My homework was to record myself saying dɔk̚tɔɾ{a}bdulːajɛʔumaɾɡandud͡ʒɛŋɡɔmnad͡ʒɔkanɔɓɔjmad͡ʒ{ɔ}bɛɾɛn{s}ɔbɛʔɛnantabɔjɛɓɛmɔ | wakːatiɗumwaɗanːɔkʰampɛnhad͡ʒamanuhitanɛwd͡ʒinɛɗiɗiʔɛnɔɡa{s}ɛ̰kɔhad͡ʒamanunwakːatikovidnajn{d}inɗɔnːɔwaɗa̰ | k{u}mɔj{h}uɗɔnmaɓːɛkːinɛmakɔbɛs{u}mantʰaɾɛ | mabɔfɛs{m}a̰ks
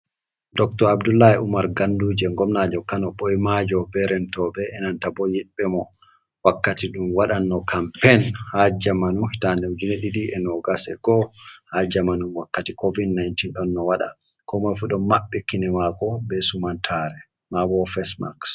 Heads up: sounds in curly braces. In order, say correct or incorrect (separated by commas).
correct, correct, incorrect, correct, incorrect, incorrect, incorrect, correct, correct